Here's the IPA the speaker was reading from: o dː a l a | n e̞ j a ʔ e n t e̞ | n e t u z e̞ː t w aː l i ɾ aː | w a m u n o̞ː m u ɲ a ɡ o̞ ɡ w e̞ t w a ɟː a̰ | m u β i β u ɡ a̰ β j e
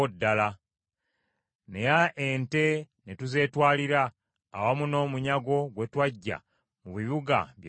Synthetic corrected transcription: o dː a l a | n e̞ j a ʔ e n t e̞ | n e t u z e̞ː t w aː l i ɾ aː | w a m u n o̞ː m u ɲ a ɡ o̞ ɡ w e̞ t w a ɟː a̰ | m u β i β u ɡ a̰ β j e